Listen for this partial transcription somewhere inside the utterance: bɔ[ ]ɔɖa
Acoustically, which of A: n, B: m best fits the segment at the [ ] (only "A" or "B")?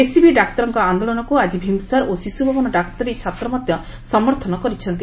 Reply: A